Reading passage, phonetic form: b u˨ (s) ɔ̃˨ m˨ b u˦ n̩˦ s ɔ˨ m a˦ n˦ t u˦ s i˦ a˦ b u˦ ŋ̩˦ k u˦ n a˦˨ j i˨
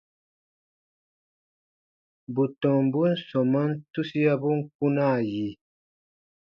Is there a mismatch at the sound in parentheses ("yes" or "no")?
yes